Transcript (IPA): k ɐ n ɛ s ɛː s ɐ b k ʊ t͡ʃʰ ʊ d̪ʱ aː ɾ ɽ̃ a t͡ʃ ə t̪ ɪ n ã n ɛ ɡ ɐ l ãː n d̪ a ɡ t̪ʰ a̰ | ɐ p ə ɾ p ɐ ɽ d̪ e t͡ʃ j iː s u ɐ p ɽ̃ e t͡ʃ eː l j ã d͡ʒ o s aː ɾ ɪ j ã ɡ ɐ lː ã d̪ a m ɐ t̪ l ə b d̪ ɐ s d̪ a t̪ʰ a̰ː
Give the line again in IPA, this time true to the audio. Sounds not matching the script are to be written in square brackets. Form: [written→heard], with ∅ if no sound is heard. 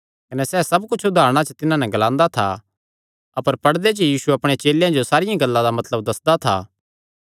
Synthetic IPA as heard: k ɐ n ɛ s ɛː s ɐ b k ʊ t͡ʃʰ ʊ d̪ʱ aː ɾ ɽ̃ a t͡ʃ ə t̪ ɪ n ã n ɛ ɡ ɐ l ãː n d̪ a [ɡ→∅] t̪ʰ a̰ | ɐ p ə ɾ p ɐ ɽ d̪ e t͡ʃ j iː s u ɐ p ɽ̃ e t͡ʃ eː l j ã d͡ʒ o s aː ɾ ɪ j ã ɡ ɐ lː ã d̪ a m ɐ t̪ l ə b d̪ ɐ s d̪ a t̪ʰ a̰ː